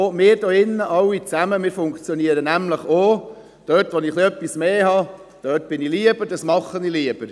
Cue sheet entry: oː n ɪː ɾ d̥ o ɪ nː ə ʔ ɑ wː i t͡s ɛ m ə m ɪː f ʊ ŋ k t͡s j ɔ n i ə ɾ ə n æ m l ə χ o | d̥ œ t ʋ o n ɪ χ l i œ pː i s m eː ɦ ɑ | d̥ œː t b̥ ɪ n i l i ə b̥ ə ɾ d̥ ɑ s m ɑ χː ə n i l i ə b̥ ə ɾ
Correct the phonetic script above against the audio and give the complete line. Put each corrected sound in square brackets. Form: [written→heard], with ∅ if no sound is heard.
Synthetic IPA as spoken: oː [n→m] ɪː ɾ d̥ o ɪ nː ə ʔ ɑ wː i t͡s [ɛ→æ] m ə m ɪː f ʊ ŋ k t͡s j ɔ n i ə ɾ ə n æ m l ə χ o | d̥ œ t ʋ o n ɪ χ l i œ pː i s m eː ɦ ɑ | d̥ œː t b̥ ɪ n i l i ə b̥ ə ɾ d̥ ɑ s m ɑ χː ə n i l i ə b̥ ə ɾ